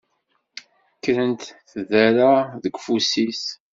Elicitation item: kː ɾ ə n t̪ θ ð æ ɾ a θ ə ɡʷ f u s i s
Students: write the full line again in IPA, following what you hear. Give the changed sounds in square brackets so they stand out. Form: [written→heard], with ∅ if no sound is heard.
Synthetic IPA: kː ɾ ə n t̪ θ ð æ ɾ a [θ→ð] ə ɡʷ f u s i s